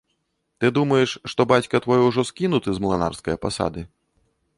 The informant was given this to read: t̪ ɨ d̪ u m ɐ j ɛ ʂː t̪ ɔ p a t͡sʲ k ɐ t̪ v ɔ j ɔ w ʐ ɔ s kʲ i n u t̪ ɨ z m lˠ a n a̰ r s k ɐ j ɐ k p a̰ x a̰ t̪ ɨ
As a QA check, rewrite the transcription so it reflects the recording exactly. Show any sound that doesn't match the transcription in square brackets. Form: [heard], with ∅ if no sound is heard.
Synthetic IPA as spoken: t̪ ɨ d̪ u m ɐ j ɛ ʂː t̪ ɔ [b] a t͡sʲ k ɐ t̪ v ɔ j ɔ w ʐ ɔ s kʲ i n u t̪ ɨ z m lˠ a n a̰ r s k ɐ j ɐ [∅] p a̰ [s] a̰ [d̪] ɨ

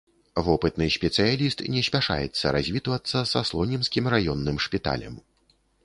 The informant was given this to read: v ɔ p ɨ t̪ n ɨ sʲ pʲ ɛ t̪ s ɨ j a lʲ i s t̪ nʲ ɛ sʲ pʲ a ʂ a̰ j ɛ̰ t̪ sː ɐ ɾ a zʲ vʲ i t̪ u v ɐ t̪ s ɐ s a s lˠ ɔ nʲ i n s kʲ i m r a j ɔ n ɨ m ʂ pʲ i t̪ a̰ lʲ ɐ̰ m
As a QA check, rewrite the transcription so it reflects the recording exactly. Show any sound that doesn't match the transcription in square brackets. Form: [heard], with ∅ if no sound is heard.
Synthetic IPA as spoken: v ɔ p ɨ t̪ n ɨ sʲ pʲ ɛ t̪ s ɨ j a lʲ i s t̪ nʲ ɛ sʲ pʲ a ʂ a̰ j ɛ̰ t̪ sː ɐ ɾ a zʲ vʲ i t̪ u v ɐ t̪ [sː] ɐ s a s lˠ ɔ nʲ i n s kʲ i m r a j ɔ [nː] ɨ m ʂ pʲ i t̪ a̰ lʲ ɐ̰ m

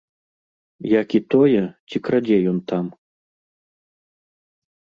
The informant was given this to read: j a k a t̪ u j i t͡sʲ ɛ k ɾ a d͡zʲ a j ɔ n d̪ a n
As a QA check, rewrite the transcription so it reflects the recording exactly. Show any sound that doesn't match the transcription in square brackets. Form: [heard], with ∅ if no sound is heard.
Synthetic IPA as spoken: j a k [i] t̪ [ɔ] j [ɛ] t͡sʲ [i] k ɾ a d͡zʲ [ɛ] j ɔ n [t̪] a [m]

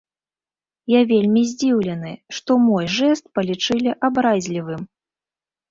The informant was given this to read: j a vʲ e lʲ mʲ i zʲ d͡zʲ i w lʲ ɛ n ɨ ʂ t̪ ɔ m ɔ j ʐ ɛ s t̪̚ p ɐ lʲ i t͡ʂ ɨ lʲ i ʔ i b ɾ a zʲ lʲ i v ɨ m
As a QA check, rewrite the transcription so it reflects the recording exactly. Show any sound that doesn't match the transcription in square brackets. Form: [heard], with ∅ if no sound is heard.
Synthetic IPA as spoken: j a vʲ e lʲ mʲ i zʲ d͡zʲ i w lʲ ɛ n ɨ ʂ t̪ ɔ m ɔ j ʐ ɛ s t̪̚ p ɐ lʲ i t͡ʂ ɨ lʲ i ʔ [a] b ɾ a zʲ lʲ i v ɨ m

